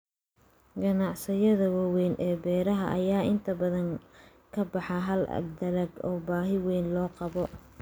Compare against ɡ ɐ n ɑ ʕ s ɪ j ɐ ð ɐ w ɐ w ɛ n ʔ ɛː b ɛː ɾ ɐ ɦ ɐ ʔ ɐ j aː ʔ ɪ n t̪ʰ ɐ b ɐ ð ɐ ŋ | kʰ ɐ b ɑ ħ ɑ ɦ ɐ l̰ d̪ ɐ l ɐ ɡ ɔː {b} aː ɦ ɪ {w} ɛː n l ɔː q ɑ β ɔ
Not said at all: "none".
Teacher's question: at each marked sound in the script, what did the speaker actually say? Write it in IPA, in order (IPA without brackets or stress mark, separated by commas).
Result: b, w